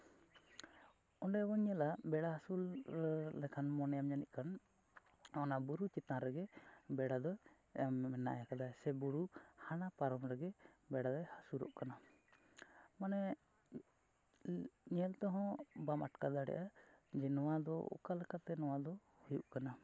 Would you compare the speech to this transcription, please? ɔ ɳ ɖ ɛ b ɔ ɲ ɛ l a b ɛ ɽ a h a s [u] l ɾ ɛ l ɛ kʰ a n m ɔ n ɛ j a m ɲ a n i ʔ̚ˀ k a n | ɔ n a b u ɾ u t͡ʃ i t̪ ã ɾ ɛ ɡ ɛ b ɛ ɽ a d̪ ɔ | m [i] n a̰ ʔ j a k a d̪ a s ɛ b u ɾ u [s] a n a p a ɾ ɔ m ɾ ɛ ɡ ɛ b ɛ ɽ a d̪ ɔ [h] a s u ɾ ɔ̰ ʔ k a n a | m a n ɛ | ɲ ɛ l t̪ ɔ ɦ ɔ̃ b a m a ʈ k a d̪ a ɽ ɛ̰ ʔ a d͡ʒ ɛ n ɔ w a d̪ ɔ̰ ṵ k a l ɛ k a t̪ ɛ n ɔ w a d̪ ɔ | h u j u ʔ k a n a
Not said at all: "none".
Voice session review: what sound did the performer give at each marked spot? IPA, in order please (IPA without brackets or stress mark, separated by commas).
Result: u, ɛ, h, h